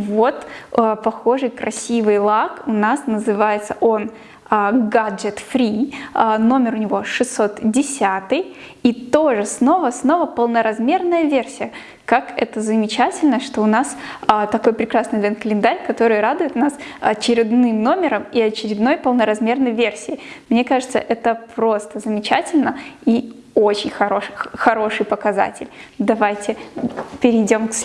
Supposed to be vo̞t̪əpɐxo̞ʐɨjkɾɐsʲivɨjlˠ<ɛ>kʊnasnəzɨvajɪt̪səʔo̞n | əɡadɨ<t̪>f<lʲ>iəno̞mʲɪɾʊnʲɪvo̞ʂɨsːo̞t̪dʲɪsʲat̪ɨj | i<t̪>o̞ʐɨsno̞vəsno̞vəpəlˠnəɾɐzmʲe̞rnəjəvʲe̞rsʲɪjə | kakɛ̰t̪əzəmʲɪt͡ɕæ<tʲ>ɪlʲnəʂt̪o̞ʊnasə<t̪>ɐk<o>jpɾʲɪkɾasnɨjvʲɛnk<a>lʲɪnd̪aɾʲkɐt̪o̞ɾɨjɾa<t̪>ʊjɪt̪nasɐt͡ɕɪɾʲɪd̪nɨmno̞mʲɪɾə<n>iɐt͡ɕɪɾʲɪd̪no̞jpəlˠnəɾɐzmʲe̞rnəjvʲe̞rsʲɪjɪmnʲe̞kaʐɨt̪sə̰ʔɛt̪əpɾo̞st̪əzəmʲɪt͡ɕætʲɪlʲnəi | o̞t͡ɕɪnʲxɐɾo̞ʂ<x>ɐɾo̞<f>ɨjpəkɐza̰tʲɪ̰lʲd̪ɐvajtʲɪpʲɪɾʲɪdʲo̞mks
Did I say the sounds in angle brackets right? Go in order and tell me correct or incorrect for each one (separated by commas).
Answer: incorrect, correct, incorrect, correct, correct, correct, correct, incorrect, incorrect, incorrect, correct, incorrect